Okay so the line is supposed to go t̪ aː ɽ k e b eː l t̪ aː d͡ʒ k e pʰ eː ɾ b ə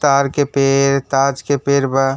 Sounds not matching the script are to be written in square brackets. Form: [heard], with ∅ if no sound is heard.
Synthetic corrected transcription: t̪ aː [ɾ] k e [p] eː [ɾ] t̪ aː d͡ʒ k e [p] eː ɾ b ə